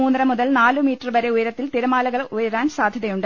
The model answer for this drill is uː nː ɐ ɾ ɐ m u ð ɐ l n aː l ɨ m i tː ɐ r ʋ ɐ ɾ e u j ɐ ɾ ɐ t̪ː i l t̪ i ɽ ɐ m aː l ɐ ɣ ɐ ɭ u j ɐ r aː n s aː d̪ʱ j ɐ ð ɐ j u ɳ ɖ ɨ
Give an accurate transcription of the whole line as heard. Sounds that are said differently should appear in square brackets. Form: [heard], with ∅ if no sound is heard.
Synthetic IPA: uː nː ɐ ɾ ɐ m u ð ɐ l n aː l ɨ m [iː] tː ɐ r ʋ ɐ ɾ e u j ɐ ɾ ɐ t̪ː i l t̪ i [ɾ] ɐ m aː l ɐ ɣ ɐ ɭ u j ɐ [ɾ] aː n s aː d̪ʱ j ɐ ð ɐ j u ɳ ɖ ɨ